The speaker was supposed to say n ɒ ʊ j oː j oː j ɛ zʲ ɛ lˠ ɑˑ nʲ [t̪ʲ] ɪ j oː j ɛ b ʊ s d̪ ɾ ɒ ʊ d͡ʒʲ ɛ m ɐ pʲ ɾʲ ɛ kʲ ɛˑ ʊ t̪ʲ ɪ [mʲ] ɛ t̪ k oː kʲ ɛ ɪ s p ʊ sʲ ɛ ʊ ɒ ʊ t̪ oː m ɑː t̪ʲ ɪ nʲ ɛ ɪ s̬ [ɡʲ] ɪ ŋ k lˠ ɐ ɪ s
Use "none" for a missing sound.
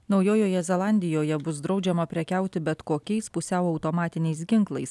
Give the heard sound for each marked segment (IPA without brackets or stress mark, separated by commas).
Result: d̪ʲ, bʲ, ɡʲ